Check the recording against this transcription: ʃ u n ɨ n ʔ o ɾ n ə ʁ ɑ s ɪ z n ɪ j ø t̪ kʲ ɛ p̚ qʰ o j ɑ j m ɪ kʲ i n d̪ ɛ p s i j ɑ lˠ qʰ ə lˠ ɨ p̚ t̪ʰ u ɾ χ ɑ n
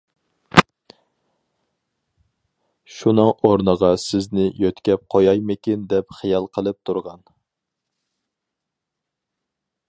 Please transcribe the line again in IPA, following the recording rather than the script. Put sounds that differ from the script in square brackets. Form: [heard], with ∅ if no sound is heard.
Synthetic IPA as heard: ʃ u n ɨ [ŋ] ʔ o ɾ n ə ʁ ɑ s ɪ z n ɪ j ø t̪ kʲ ɛ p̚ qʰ o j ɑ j m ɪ kʲ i n d̪ ɛ p [χ] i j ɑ lˠ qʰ ə lˠ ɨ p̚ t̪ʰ u ɾ [ʁ] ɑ n

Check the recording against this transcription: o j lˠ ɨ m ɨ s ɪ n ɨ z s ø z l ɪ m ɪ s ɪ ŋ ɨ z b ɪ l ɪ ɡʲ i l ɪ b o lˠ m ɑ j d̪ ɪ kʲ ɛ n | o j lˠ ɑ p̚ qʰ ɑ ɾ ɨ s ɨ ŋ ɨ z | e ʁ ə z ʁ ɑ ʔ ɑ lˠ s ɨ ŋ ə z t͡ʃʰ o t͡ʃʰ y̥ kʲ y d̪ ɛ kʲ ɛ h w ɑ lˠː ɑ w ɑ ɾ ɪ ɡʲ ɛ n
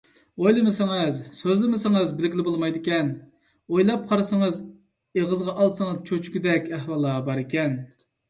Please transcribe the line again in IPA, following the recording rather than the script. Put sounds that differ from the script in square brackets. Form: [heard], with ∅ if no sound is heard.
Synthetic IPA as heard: o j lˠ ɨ m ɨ s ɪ [ŋ] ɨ z s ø z l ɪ m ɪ s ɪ ŋ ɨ z b ɪ l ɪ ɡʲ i l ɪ b o lˠ m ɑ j d̪ ɪ kʲ ɛ n | o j lˠ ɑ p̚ qʰ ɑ ɾ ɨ s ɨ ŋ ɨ z | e ʁ ə z ʁ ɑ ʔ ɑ lˠ s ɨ ŋ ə z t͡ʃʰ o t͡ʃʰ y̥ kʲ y d̪ ɛ kʲ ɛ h w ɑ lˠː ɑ [b] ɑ ɾ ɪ [kʲ] ɛ n

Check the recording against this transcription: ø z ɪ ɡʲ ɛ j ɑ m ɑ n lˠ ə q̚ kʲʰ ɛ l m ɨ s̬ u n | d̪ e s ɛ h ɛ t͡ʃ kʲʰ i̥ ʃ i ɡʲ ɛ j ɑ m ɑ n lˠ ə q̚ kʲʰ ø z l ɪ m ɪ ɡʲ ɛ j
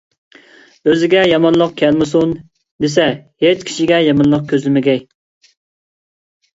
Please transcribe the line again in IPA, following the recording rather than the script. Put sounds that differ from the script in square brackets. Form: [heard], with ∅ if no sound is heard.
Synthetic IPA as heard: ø z ɪ ɡʲ ɛ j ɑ m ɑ n lˠ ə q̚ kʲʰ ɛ l m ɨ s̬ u n | d̪ e s ɛ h [e] t͡ʃ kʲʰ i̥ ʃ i ɡʲ ɛ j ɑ m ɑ n lˠ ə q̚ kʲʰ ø z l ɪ m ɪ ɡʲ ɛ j

